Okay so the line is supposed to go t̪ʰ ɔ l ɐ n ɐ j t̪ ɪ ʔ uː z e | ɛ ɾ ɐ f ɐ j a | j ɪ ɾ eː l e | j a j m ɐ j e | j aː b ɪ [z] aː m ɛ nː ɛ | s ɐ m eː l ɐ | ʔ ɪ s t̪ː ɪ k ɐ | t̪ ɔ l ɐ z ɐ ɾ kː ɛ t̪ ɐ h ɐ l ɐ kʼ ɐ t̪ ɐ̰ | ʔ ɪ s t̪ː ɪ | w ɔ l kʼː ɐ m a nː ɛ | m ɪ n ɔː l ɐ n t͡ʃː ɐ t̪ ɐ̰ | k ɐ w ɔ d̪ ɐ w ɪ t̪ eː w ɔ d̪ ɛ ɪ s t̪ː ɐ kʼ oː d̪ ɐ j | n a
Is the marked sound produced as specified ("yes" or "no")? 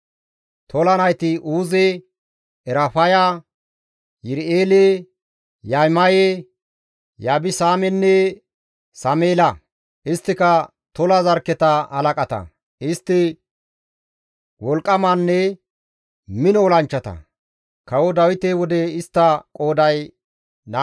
no